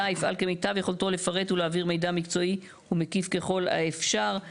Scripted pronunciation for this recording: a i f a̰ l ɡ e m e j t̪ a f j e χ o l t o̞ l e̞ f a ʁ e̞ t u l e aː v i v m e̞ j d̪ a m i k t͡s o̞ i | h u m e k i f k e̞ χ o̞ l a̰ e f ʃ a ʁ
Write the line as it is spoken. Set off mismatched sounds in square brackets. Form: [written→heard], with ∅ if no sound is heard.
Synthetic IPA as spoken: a i f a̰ l [ɡ→k] e m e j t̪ a [f→v] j e χ o l t o̞ l e̞ f a ʁ e̞ t u l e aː v i [v→ʁ] m e̞ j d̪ a m i k t͡s o̞ i | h u m e k i f k e̞ χ o̞ l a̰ e f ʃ a ʁ